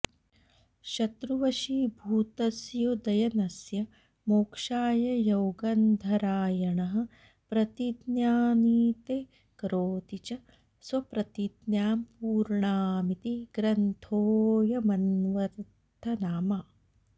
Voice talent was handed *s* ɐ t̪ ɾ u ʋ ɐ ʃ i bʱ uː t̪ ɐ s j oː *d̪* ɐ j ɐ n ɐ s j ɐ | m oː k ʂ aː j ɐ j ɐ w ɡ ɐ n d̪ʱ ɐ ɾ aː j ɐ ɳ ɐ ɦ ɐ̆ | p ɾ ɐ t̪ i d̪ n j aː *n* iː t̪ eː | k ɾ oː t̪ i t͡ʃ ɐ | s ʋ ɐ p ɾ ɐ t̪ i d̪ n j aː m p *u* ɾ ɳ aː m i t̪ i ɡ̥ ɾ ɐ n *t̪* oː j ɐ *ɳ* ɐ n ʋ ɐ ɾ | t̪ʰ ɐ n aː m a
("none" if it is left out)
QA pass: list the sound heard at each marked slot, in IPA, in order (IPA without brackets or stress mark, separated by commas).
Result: ʃ, d̪, n, uː, t̪ʰ, m